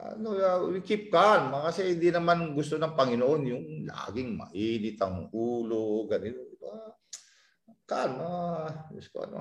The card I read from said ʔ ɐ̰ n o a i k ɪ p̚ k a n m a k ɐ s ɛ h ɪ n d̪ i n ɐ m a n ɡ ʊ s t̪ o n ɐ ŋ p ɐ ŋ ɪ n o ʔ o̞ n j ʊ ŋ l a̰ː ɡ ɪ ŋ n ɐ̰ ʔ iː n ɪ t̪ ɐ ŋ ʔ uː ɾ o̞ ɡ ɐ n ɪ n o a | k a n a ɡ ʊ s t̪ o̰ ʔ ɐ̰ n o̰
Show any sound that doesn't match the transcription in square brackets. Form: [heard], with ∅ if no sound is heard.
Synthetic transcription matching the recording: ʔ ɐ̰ n o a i k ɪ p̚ k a n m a k ɐ s ɛ h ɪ n d̪ i n ɐ m a n ɡ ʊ s t̪ o n ɐ ŋ p ɐ ŋ ɪ n o ʔ o̞ n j ʊ ŋ l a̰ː ɡ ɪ ŋ [m] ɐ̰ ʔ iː n ɪ t̪ ɐ ŋ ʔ uː [l] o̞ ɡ ɐ n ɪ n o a | k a n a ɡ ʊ s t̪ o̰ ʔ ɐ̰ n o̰